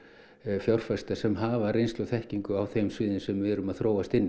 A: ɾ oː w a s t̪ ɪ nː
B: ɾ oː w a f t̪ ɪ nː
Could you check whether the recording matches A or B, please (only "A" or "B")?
A